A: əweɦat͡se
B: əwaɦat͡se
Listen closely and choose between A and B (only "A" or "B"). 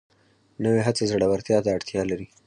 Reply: A